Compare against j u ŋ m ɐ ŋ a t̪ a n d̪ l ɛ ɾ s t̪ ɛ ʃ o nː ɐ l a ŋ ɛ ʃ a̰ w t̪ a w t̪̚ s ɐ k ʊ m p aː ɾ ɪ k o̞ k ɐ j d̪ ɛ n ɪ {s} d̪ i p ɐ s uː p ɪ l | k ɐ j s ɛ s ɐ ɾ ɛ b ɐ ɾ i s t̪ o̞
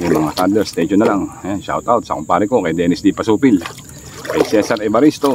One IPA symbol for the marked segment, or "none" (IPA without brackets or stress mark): s